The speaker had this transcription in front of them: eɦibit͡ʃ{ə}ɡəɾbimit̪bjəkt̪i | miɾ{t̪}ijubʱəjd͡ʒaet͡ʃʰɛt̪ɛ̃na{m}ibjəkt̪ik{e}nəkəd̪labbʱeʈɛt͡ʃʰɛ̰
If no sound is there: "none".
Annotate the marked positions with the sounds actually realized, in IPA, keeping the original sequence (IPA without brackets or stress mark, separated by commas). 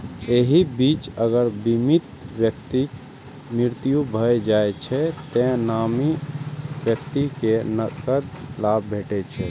ə, t̪, m, e